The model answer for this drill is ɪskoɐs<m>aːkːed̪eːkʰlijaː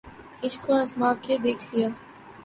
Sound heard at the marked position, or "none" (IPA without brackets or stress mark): m